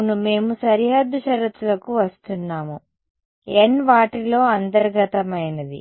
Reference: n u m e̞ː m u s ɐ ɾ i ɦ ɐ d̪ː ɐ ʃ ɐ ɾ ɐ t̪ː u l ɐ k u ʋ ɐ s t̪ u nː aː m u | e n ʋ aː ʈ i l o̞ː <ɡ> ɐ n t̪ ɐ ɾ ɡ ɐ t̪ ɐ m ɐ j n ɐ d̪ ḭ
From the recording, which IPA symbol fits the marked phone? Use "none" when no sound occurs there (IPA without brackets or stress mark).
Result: none